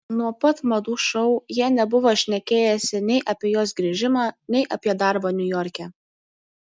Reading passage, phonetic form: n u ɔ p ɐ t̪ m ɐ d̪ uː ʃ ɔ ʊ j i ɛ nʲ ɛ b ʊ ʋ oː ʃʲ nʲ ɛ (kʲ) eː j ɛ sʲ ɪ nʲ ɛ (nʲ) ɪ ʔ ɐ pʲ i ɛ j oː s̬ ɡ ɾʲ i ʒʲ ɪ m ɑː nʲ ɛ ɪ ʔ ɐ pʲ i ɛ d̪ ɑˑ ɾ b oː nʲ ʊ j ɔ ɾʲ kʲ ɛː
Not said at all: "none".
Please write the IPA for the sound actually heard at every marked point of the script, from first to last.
kʲ, none

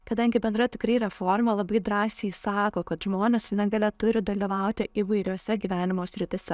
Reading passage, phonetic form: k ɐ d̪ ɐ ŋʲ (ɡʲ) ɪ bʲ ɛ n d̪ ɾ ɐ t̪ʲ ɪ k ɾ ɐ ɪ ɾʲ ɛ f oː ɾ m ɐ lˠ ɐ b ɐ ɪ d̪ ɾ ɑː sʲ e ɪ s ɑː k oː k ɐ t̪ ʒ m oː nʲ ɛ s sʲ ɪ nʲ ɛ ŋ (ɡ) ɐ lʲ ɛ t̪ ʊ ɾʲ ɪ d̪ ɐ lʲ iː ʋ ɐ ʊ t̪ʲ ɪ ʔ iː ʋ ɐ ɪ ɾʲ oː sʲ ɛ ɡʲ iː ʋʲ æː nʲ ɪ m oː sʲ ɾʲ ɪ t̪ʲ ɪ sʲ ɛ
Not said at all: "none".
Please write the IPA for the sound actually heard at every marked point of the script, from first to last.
ɡʲ, ɡ

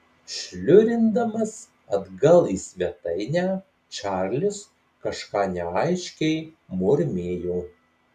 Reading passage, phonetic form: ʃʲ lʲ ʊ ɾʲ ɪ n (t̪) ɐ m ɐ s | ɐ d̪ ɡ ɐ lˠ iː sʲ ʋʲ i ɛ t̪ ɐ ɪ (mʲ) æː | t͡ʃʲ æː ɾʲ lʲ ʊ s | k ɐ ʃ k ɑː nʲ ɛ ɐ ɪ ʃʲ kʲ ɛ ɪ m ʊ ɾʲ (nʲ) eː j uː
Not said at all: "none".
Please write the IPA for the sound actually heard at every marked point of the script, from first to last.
d̪, nʲ, mʲ

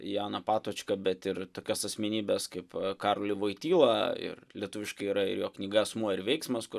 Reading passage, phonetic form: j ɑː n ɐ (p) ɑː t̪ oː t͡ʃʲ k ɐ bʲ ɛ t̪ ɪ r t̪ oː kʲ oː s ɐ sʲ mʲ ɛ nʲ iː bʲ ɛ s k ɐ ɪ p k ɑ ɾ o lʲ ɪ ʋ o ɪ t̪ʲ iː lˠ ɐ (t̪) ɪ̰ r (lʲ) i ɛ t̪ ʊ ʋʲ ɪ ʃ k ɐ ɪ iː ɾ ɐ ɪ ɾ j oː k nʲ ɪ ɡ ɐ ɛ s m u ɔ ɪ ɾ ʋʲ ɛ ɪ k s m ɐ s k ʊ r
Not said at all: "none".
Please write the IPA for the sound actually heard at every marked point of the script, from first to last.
p, none, lʲ

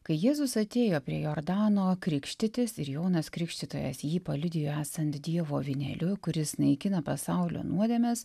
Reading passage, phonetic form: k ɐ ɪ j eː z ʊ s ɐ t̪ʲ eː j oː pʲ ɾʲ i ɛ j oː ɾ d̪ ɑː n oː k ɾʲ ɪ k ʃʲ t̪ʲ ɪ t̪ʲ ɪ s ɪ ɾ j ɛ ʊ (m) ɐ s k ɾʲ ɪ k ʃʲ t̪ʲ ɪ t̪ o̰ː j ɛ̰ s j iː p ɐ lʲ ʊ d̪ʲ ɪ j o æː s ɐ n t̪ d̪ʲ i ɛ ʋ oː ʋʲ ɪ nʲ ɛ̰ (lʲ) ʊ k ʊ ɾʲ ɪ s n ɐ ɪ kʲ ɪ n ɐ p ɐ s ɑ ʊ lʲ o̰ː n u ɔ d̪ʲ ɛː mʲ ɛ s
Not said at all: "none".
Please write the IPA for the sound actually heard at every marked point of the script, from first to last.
n, lʲ

